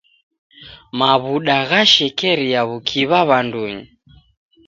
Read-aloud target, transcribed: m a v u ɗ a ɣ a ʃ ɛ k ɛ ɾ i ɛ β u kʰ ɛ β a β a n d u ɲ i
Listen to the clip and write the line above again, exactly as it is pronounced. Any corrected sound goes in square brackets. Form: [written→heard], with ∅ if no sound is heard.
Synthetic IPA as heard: m a [v→β] u ɗ a ɣ a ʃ ɛ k ɛ ɾ i [ɛ→a] β u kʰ [ɛ→i] β a β a n d u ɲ i